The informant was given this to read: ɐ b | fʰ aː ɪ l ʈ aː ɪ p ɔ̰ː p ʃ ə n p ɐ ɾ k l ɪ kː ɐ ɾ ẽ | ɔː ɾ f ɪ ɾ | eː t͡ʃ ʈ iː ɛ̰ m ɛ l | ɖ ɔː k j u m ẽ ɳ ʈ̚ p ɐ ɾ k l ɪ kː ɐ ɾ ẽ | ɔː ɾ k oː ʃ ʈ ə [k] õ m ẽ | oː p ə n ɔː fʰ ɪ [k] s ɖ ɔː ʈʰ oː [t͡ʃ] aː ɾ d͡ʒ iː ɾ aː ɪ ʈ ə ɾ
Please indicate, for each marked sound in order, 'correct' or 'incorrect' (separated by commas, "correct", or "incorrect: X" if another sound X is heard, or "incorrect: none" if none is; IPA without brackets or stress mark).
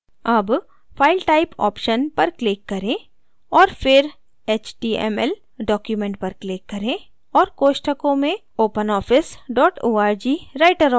correct, incorrect: none, incorrect: none